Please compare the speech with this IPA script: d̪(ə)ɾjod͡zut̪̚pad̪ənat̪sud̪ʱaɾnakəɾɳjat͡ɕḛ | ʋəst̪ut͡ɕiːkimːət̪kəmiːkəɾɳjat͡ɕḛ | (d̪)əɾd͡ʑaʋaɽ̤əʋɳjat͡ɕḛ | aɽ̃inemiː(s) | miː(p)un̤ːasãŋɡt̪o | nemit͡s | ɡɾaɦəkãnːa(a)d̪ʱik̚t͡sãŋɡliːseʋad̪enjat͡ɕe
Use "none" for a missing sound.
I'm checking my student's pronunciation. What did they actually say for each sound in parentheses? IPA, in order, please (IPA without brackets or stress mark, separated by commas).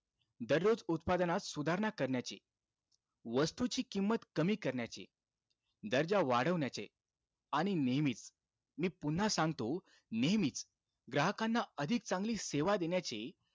ə, d̪, t͡s, p, ə